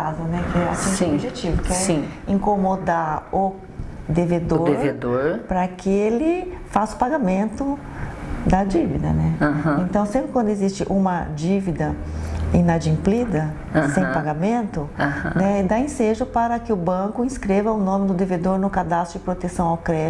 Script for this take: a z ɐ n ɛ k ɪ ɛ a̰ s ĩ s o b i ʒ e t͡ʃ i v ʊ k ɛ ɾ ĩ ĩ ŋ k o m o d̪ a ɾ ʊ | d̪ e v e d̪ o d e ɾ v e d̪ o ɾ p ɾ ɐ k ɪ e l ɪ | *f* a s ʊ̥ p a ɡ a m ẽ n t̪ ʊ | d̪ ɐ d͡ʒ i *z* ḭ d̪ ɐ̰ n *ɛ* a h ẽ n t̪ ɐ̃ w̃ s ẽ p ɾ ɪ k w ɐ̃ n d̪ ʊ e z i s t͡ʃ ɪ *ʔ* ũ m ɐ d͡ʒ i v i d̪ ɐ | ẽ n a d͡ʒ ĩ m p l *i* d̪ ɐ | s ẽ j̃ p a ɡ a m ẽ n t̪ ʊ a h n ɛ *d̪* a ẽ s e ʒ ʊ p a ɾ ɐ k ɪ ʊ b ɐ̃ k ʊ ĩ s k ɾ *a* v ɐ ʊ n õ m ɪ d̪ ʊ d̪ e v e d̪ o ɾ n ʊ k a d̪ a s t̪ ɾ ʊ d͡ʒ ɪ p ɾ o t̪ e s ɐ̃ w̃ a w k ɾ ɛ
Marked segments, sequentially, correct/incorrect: correct, incorrect, correct, correct, correct, correct, incorrect

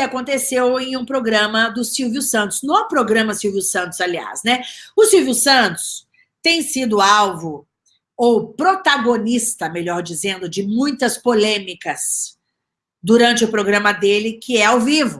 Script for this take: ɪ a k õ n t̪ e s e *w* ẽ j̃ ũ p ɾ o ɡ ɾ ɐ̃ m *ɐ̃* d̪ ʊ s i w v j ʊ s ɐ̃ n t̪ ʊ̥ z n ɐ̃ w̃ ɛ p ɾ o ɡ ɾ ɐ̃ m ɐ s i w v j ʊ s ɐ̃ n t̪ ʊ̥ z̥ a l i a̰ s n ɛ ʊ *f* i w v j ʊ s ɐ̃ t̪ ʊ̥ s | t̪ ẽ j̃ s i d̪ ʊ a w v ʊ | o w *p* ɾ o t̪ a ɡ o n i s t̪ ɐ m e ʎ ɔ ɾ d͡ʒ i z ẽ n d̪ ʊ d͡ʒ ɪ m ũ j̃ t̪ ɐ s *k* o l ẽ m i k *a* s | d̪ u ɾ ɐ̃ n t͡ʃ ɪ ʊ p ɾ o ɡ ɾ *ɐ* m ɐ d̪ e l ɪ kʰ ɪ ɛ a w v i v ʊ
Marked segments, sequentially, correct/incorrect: correct, incorrect, incorrect, correct, incorrect, incorrect, incorrect

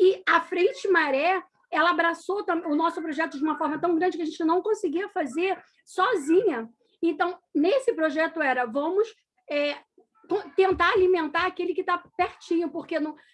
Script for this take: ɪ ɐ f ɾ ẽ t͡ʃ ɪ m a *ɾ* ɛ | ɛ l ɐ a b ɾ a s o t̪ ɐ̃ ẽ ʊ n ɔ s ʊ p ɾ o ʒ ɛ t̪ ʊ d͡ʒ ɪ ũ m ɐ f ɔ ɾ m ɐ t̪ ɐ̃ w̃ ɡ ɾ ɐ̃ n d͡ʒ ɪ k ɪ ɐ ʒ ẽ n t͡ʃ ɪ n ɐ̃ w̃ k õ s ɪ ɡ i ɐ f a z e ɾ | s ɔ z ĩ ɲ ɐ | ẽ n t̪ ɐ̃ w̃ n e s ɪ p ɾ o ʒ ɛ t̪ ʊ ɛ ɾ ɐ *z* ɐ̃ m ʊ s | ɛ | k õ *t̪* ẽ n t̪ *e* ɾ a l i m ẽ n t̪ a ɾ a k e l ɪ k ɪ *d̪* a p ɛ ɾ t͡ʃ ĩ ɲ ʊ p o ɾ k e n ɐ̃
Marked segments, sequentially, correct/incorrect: correct, incorrect, correct, incorrect, incorrect

